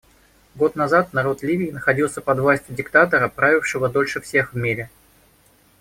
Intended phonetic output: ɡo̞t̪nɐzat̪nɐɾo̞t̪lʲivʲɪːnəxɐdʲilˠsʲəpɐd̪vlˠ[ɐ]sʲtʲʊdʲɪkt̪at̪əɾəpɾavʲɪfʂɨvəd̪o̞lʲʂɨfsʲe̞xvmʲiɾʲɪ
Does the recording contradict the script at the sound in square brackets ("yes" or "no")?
yes